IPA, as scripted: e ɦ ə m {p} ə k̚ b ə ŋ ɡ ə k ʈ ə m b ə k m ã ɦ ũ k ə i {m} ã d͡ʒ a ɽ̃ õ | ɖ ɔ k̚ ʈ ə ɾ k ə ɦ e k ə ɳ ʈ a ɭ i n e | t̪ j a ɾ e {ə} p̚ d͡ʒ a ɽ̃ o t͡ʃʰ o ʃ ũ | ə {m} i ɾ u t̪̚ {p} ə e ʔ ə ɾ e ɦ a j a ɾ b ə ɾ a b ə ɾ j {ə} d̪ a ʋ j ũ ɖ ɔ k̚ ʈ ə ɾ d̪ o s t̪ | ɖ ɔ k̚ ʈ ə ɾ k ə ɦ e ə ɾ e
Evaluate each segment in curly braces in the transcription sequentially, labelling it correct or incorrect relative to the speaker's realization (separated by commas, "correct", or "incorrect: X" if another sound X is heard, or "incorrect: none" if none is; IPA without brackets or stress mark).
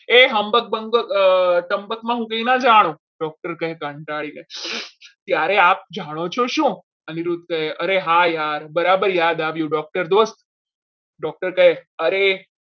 incorrect: b, incorrect: n, incorrect: a, incorrect: n, incorrect: k, incorrect: a